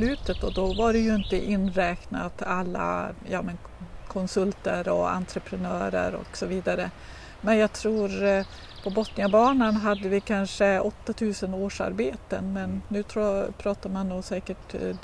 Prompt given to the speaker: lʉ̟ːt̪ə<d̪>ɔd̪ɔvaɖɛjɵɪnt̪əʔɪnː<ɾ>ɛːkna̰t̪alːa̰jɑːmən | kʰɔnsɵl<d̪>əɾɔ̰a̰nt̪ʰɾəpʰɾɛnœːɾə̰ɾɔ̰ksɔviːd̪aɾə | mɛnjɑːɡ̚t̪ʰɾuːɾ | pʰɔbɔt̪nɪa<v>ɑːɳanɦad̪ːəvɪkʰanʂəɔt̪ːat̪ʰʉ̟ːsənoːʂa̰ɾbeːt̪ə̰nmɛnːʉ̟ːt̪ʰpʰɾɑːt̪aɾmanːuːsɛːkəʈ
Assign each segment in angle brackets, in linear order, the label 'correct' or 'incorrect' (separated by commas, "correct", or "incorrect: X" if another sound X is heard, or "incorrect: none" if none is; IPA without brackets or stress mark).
incorrect: t̪, correct, incorrect: t̪, incorrect: b